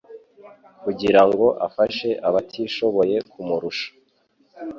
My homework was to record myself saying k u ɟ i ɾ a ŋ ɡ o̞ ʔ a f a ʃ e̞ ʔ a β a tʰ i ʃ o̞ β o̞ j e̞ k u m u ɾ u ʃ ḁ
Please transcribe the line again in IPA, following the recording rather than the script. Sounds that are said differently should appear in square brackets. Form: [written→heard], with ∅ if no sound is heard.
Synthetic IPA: k u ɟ i ɾ a ŋ ɡ o̞ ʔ a f a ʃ e̞ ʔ a β a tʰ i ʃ o̞ β o̞ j e̞ k u m u ɾ u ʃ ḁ

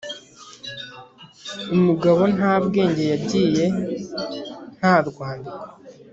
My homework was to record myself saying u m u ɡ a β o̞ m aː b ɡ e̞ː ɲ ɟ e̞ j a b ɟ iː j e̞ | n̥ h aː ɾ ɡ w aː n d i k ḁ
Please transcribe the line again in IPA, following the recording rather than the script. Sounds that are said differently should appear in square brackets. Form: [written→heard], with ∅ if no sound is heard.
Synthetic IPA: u m u ɡ a β o̞ [m→n] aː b ɡ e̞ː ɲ ɟ e̞ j a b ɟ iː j e̞ | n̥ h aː ɾ ɡ w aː n d i k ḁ

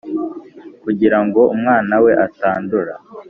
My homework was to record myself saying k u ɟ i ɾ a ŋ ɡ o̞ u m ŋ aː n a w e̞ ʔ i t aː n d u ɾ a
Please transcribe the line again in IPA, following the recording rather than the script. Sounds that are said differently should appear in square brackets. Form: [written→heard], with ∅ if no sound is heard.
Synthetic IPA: k u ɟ i ɾ a ŋ ɡ o̞ u m ŋ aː n a w e̞ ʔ [i→a] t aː n d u ɾ a

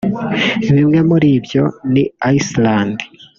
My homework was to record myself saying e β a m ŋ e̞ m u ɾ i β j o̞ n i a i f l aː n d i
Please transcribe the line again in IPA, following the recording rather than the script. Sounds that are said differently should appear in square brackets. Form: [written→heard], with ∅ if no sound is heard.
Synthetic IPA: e β [a→i] m ŋ e̞ m u ɾ i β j o̞ n i a i [f→s] l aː n d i

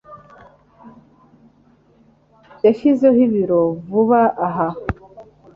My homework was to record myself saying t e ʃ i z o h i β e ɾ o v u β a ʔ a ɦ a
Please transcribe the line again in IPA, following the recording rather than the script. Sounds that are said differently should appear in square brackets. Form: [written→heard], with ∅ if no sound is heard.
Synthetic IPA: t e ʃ i z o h i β [e→i] ɾ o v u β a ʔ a ɦ a

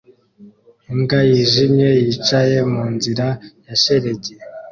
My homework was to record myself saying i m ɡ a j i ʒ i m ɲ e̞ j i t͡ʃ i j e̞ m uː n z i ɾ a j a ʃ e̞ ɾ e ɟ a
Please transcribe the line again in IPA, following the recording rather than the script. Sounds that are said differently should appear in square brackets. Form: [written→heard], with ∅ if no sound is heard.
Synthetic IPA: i [m→ŋ] ɡ a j i ʒ i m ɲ e̞ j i t͡ʃ [i→a] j e̞ m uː n z i ɾ a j a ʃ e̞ ɾ e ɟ [a→e]

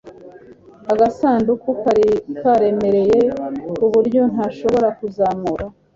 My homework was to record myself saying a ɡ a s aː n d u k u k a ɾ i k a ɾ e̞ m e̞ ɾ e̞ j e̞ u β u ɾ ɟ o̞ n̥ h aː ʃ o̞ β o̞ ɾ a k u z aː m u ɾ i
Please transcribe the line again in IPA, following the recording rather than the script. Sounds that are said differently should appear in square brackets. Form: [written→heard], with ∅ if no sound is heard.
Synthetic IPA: a ɡ a s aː n d u k u k a ɾ i k a ɾ e̞ m e̞ ɾ e̞ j e̞ u β u ɾ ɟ o̞ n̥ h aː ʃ o̞ β o̞ ɾ a k u z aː m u ɾ [i→a]

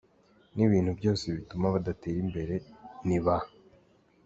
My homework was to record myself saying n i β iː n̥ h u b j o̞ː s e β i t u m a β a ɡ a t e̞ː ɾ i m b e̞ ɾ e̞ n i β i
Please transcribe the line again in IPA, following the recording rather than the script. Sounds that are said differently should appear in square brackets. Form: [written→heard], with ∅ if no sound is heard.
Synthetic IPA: n i β iː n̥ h u b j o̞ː s e β i t u m a β a [ɡ→d] a t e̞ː ɾ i m b e̞ ɾ e̞ n i β [i→a]

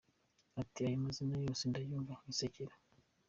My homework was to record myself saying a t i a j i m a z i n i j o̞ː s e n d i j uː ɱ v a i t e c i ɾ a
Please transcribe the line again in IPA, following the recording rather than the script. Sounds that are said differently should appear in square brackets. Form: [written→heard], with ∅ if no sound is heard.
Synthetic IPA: a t i a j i m a z i n [i→a] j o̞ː s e n d [i→a] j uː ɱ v a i [t→s] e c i ɾ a

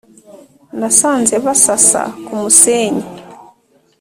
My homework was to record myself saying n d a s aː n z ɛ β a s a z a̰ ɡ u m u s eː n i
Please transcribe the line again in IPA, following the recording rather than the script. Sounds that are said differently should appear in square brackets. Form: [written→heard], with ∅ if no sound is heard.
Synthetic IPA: n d a s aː n z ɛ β a s a [z→s] a̰ [ɡ→k] u m u s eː [n→ɲ] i

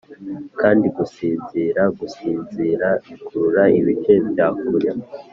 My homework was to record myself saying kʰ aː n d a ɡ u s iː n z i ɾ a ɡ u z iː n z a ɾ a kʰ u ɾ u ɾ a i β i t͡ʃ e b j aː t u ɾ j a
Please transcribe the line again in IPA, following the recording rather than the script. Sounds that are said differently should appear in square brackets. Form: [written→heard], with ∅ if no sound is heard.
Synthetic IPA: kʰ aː n d [a→i] ɡ u s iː n z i ɾ a ɡ u [z→s] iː n z [a→i] ɾ a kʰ u ɾ u ɾ a i β i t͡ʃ e b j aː [t→k] u ɾ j a

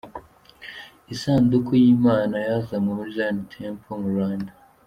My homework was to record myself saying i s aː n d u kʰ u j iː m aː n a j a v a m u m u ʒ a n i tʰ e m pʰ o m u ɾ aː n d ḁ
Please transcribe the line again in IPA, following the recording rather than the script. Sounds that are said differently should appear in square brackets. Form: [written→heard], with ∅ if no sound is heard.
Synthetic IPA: i s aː n d u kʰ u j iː m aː n a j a [v→z] a m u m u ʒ a n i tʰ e m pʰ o m u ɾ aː n d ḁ

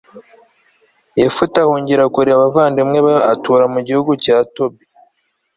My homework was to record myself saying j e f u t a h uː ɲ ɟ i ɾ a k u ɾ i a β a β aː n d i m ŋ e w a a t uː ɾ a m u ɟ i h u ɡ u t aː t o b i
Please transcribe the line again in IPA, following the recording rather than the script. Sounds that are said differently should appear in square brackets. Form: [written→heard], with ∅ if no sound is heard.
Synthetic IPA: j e f u t a h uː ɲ ɟ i ɾ a k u ɾ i a β a [β→v] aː n d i m ŋ e [w→β] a a t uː ɾ a m u ɟ i h u ɡ u [t→c] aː t o b i

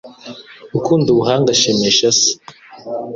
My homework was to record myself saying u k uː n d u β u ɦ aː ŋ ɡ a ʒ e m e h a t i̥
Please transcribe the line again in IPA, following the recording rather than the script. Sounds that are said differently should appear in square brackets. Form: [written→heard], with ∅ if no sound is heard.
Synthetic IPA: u k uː n d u β u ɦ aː ŋ ɡ a [ʒ→ʃ] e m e [h→ʃ] a [t→s] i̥

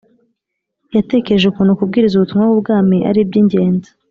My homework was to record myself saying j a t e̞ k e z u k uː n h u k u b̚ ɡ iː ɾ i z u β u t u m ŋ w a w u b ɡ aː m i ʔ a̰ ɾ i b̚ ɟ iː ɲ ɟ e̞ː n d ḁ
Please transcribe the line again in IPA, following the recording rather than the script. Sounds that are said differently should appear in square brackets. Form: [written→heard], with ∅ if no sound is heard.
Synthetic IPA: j a t e̞ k e [z→ʒ] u k uː n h u k u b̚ ɡ iː ɾ i z u β u t u m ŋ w a w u b ɡ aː m i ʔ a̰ ɾ i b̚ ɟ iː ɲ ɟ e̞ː n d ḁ

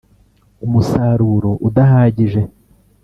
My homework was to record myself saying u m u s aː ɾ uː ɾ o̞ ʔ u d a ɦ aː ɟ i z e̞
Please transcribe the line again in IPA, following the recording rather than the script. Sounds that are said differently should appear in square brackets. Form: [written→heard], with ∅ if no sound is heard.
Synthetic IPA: u m u s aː ɾ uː ɾ o̞ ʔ u d a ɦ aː ɟ i [z→ʒ] e̞

